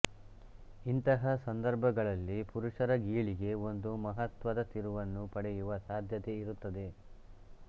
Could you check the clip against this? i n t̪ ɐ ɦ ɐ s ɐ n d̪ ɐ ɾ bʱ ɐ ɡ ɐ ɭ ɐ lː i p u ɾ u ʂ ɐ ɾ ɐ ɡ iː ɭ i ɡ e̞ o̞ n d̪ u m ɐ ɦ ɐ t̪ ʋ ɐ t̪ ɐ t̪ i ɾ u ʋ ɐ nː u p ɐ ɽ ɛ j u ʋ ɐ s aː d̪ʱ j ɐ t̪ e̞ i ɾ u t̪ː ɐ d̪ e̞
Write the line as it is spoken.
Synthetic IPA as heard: i n t̪ ɐ ɦ ɐ s ɐ n d̪ ɐ ɾ bʱ ɐ ɡ ɐ ɭ ɐ lː i p u ɾ u ʂ ɐ ɾ ɐ ɡ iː ɭ i ɡ e̞ o̞ n d̪ u m ɐ ɦ ɐ t̪ ʋ ɐ d̪ ɐ t̪ i ɾ u ʋ ɐ nː u p ɐ ɽ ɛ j u ʋ ɐ s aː d̪ʱ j ɐ t̪ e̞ i ɾ u t̪ː ɐ d̪ e̞